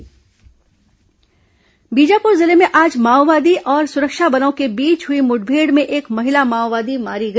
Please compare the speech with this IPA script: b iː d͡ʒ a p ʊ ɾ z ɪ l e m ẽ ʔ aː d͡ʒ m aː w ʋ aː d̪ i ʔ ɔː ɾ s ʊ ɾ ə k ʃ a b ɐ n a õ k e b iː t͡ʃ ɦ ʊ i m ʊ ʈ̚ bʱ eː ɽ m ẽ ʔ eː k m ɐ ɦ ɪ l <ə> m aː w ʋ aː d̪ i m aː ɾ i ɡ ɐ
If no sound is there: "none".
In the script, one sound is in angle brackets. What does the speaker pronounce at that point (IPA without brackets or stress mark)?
a